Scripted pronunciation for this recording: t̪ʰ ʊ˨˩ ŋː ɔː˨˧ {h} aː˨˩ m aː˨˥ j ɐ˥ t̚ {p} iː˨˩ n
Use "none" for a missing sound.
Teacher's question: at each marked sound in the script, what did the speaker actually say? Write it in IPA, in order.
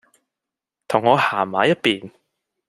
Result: h, p

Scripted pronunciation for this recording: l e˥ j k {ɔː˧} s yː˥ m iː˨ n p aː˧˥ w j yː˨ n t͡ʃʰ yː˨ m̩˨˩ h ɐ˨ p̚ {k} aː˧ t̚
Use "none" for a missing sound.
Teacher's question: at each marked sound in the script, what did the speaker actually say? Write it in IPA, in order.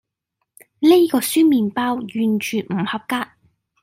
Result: ɔː˧, k

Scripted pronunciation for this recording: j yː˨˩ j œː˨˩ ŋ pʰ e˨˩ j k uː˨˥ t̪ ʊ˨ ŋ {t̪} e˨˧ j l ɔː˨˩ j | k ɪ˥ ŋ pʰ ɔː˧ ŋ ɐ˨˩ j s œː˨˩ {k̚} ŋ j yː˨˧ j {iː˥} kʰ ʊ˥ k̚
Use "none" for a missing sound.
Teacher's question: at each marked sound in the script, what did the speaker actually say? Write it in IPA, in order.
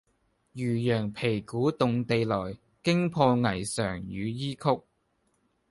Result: t̪, none, iː˥

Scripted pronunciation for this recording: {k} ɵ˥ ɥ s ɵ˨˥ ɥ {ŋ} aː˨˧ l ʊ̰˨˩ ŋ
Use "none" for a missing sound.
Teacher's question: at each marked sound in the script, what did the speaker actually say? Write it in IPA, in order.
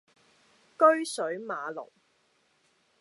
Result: k, m

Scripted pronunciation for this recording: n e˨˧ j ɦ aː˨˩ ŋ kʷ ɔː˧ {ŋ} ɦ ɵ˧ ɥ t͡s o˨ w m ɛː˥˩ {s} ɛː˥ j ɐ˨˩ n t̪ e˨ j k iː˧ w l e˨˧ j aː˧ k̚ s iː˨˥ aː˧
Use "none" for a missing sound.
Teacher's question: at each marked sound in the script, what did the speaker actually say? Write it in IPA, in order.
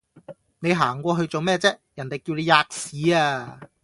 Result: none, t͡s

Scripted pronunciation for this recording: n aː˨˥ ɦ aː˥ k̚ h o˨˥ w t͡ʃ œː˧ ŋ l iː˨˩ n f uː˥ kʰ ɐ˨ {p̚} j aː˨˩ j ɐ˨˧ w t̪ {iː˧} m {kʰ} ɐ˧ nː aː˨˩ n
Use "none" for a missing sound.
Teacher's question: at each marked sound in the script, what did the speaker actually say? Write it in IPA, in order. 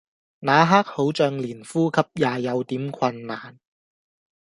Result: p̚, iː˨˥, kʰ

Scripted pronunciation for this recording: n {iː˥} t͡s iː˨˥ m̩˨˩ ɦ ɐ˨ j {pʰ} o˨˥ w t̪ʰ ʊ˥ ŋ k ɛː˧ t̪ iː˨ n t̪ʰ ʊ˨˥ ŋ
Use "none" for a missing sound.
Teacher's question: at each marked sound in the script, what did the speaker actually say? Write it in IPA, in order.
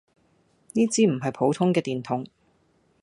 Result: iː˥, pʰ

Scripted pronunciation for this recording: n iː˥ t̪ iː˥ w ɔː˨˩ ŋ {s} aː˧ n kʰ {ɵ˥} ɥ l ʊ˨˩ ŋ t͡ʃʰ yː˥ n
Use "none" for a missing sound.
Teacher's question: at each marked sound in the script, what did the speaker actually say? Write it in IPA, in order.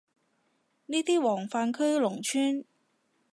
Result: f, ɵ˥

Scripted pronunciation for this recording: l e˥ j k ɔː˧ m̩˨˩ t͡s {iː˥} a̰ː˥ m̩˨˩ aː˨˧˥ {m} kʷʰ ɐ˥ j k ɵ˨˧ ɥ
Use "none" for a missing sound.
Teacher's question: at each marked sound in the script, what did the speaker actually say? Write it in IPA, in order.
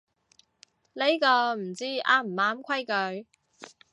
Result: iː˥, m

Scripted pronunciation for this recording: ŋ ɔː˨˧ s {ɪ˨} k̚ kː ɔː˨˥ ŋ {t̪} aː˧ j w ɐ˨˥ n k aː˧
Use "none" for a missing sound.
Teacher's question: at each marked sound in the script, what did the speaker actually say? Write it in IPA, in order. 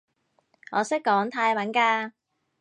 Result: ɪ˥, t̪ʰ

